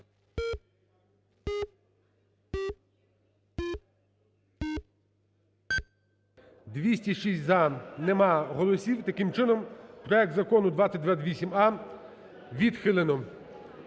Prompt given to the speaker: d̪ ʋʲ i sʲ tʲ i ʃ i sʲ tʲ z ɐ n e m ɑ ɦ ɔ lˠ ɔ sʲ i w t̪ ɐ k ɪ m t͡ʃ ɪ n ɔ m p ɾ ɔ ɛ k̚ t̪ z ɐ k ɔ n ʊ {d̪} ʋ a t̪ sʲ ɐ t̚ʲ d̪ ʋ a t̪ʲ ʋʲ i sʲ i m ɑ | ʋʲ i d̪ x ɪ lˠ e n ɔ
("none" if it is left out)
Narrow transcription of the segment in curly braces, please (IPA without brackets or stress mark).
d̪